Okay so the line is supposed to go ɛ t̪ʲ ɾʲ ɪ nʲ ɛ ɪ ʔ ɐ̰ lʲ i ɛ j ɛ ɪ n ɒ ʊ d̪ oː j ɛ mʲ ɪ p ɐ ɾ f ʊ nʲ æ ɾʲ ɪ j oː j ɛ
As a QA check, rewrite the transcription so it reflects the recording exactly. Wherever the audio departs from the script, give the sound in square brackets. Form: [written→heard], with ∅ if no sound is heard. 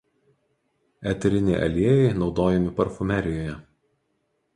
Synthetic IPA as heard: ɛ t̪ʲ ɾʲ ɪ nʲ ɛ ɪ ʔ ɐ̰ lʲ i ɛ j ɛ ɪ n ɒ ʊ d̪ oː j ɛ mʲ ɪ p ɐ ɾ f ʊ [nʲ→mʲ] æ ɾʲ ɪ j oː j ɛ

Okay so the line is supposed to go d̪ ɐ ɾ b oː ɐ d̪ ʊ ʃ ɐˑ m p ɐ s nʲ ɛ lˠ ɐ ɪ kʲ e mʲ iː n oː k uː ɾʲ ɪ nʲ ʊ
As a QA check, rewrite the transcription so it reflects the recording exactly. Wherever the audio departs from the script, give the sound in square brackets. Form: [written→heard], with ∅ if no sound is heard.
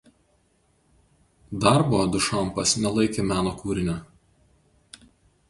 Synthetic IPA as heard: d̪ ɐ ɾ b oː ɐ d̪ ʊ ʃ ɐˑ m p ɐ s nʲ ɛ lˠ ɐ ɪ kʲ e mʲ [iː→æː] n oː k uː ɾʲ ɪ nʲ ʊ

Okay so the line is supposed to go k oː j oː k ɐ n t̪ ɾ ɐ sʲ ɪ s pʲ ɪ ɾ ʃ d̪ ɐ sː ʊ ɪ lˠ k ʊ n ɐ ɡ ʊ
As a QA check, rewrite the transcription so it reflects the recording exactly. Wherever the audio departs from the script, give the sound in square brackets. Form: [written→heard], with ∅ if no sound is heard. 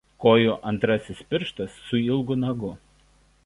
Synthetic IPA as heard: k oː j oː [k→ʔ] ɐ n t̪ ɾ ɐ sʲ ɪ s pʲ ɪ ɾ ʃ [d̪→t̪] ɐ sː ʊ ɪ lˠ [k→ɡ] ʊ n ɐ ɡ ʊ

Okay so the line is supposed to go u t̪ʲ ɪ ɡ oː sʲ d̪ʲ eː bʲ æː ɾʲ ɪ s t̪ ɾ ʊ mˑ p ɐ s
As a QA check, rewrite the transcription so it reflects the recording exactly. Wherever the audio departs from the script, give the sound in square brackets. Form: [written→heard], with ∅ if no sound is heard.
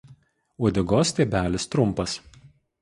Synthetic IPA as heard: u [t̪ʲ→d̪ʲ] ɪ ɡ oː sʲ [d̪ʲ→t̪ʲ] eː bʲ æː [ɾʲ→lʲ] ɪ s t̪ ɾ ʊ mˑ p ɐ s

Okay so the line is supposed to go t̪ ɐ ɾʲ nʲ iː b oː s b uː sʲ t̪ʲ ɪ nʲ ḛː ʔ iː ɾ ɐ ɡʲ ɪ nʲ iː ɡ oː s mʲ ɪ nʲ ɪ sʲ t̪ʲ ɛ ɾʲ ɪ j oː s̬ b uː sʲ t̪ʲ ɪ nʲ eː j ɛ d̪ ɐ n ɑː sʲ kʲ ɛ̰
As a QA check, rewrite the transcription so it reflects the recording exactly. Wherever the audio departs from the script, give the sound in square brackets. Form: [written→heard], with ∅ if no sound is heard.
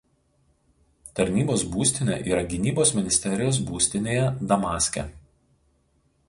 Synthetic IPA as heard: t̪ ɐ ɾʲ nʲ iː b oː s b uː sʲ t̪ʲ ɪ nʲ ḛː ʔ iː ɾ ɐ ɡʲ ɪ nʲ iː [ɡ→b] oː s mʲ ɪ nʲ ɪ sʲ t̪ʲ ɛ ɾʲ ɪ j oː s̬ b uː sʲ t̪ʲ ɪ nʲ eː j ɛ d̪ ɐ [n→m] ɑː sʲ kʲ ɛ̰

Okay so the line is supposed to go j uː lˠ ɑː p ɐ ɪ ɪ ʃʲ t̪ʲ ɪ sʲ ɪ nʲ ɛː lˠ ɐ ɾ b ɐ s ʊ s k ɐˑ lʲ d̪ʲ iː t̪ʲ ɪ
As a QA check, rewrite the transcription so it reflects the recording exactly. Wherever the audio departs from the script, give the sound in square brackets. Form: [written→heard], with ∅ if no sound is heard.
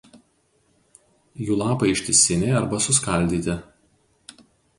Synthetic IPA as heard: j uː lˠ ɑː p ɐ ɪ ɪ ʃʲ t̪ʲ ɪ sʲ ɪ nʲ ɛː [lˠ→∅] ɐ ɾ b ɐ s ʊ s k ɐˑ lʲ d̪ʲ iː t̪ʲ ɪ

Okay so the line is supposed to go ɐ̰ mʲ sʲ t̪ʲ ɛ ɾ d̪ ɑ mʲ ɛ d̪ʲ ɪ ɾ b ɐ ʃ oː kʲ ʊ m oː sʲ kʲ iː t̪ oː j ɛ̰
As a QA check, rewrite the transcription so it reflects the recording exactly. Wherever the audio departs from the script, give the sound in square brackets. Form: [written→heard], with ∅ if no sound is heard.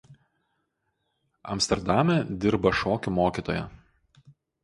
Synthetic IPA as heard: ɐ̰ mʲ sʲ t̪ʲ ɛ ɾ d̪ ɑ mʲ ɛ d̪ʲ ɪ ɾ b ɐ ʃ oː kʲ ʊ m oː [sʲ→∅] kʲ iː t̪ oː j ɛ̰

